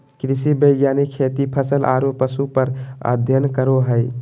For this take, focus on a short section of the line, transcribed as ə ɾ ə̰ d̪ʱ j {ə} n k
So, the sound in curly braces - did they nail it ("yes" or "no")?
yes